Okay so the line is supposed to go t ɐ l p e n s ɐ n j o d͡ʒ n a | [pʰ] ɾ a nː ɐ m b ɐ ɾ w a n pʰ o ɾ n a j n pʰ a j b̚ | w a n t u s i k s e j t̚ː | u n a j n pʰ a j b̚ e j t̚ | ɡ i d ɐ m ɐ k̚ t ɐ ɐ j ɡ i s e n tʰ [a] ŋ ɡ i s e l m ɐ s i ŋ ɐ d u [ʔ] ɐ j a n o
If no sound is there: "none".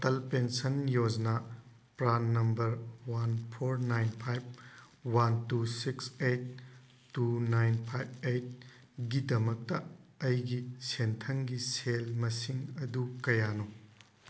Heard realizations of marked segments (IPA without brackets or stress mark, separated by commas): p, ɐ, k